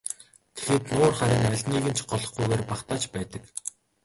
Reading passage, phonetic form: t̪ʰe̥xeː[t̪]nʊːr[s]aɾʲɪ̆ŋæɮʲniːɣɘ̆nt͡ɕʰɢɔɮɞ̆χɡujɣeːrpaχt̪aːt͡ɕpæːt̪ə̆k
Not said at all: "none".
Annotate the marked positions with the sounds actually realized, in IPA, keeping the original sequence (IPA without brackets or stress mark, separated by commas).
t̪, χ